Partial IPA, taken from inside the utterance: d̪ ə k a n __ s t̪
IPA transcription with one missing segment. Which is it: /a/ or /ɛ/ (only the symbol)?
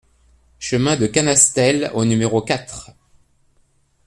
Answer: a